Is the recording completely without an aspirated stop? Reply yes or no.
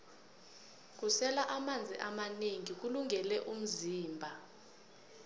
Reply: yes